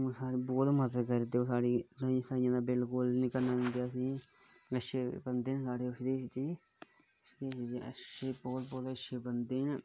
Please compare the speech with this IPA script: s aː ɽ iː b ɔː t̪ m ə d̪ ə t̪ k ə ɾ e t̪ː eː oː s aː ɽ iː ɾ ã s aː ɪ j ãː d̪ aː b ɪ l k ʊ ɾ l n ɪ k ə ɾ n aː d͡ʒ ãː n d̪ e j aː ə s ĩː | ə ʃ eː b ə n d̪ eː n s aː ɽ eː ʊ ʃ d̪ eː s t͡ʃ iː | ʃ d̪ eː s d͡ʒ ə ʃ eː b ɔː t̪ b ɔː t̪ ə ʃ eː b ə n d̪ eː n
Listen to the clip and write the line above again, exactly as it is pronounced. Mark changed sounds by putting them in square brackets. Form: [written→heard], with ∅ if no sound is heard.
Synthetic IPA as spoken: s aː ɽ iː b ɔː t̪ m ə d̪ ə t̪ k ə ɾ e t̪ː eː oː s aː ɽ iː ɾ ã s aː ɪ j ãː d̪ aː b ɪ l k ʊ [ɾ→∅] l n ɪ k ə ɾ n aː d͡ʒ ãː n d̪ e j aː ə s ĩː | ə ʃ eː b ə n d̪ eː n s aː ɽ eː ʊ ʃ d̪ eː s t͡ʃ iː | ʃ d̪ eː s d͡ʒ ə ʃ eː b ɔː t̪ b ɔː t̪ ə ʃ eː b ə n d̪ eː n